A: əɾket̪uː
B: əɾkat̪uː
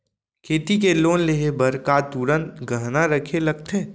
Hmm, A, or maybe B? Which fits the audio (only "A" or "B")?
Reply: B